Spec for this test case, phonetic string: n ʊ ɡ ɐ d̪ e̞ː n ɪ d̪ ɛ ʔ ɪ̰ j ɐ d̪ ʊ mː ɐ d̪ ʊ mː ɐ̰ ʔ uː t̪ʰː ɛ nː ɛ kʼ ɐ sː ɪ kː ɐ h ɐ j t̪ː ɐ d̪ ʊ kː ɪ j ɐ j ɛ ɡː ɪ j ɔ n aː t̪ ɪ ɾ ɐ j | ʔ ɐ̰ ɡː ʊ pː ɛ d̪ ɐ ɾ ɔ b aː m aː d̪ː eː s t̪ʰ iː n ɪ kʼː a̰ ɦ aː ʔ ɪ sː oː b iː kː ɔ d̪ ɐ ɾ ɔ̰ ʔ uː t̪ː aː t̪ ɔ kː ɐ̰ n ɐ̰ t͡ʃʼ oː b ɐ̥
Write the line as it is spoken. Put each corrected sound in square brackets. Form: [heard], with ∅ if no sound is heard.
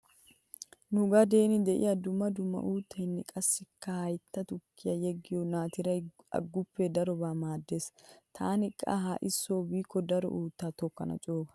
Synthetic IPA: n ʊ ɡ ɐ d̪ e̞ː n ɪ d̪ ɛ ʔ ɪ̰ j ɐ d̪ ʊ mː ɐ d̪ ʊ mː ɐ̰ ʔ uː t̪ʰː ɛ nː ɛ kʼ ɐ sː ɪ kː ɐ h ɐ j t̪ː ɐ [t̪] ʊ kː ɪ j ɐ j ɛ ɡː ɪ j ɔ n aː t̪ ɪ ɾ ɐ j | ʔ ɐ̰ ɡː ʊ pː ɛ d̪ ɐ ɾ ɔ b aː m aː d̪ː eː s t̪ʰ [aː] n ɪ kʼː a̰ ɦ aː ʔ ɪ sː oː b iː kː ɔ d̪ ɐ ɾ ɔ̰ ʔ uː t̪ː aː t̪ ɔ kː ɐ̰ n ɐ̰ t͡ʃʼ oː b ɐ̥